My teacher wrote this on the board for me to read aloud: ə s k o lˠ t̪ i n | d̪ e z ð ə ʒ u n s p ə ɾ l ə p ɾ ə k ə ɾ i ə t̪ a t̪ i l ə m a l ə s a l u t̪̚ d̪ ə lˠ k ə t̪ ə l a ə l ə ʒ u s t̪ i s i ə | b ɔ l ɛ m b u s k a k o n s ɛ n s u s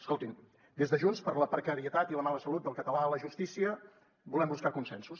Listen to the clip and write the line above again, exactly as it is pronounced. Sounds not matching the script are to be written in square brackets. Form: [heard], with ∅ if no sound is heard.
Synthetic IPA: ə s k o lˠ t̪ i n | d̪ e z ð ə ʒ u n s p ə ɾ l ə p ɾ ə k ə ɾ i ə t̪ a t̪ i l ə m a l ə s [ə] l u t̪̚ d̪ ə lˠ k ə t̪ ə l a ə l ə ʒ u s t̪ i s i ə | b [u] l ɛ m b u s k a k [u] n s ɛ n s u s